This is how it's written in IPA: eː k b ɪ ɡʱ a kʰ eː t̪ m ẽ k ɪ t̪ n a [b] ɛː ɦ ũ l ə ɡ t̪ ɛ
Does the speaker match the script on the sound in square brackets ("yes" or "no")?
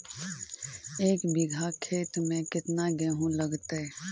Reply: no